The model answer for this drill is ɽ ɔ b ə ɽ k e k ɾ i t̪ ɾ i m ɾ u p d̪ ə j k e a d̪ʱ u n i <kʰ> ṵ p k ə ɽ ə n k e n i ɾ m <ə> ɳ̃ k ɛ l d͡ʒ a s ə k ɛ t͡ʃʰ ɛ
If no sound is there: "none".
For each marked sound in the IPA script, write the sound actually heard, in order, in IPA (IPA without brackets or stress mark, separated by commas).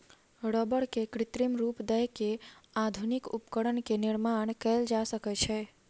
k, a